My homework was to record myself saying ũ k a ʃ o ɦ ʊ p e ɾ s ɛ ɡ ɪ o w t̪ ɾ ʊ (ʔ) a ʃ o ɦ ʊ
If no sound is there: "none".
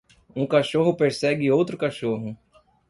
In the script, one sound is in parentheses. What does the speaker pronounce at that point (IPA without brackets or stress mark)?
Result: k